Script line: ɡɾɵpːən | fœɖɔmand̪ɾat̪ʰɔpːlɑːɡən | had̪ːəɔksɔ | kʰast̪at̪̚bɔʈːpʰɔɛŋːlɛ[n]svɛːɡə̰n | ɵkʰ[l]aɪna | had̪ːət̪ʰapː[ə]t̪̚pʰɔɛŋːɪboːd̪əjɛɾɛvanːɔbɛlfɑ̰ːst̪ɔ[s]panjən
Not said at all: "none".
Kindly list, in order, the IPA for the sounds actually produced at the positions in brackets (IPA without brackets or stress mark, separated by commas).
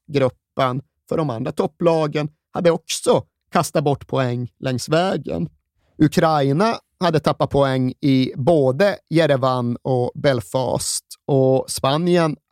ŋ, ɾ, a, s